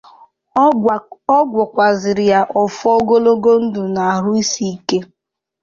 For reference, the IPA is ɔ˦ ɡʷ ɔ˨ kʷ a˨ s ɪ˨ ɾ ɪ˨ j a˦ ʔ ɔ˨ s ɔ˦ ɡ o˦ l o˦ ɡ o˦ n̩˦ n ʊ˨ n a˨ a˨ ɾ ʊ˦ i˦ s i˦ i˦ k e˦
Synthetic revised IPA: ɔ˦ ɡʷ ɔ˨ kʷ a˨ z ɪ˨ ɾ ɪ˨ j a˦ ʔ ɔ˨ f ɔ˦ ɡ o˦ l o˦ ɡ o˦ n̩˦ d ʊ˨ n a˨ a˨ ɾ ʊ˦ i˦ s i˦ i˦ k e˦